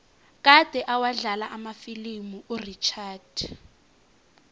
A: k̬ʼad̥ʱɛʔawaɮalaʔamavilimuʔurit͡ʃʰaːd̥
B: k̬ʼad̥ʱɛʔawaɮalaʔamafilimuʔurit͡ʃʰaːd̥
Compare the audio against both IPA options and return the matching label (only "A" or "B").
B